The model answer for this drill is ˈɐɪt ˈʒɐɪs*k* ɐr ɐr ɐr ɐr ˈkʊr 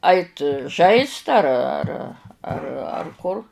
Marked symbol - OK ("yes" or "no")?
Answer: no